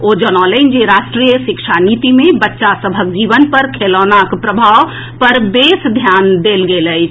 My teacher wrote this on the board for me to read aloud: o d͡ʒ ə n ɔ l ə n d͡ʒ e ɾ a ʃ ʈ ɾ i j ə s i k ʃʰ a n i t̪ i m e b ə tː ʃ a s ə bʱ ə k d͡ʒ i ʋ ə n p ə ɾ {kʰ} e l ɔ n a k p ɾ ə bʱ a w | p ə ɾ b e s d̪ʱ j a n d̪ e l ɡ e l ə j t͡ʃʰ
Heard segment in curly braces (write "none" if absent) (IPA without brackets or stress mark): kʰ